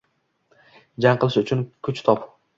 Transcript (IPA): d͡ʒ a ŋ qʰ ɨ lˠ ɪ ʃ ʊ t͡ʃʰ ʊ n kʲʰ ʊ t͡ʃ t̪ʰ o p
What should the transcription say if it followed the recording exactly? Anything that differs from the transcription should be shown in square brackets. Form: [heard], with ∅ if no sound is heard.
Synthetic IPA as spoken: d͡ʒ a ŋ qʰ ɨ lˠ ɪ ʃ ʊ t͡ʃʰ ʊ n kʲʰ ʊ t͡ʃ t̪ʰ [ɒ] p